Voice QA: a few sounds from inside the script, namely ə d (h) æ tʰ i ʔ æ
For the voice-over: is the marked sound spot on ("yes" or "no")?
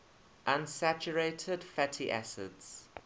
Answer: no